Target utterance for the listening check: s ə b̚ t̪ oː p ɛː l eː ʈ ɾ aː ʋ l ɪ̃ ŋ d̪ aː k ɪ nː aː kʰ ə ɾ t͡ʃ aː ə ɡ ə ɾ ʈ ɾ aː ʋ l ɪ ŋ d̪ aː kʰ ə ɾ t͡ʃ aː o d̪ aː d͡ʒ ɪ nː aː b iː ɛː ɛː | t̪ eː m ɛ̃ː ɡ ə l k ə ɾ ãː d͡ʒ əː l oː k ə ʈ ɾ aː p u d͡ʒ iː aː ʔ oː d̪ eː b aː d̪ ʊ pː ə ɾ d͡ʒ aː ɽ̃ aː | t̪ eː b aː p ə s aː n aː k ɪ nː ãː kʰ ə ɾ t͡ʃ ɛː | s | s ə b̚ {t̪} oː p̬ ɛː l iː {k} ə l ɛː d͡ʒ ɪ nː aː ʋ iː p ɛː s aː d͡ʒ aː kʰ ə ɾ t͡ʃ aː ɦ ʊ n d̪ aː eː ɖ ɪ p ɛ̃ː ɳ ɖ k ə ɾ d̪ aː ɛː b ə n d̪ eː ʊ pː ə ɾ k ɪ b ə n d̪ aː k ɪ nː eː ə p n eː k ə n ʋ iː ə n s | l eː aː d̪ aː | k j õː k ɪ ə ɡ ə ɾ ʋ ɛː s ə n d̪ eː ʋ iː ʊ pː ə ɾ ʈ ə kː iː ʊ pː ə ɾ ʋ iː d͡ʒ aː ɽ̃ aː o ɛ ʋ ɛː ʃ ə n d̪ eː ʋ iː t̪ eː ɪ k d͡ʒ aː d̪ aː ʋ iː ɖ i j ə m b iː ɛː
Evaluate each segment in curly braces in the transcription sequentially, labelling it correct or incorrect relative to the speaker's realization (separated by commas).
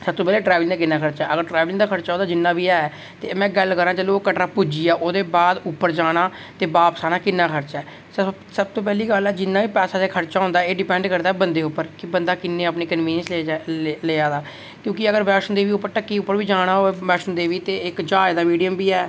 correct, incorrect